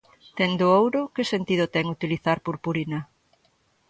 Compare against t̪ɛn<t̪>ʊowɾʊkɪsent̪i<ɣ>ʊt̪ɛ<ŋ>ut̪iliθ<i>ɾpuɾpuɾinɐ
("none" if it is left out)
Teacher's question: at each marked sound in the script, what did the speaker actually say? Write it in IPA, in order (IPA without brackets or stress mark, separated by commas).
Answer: d̪, ð, ŋ, a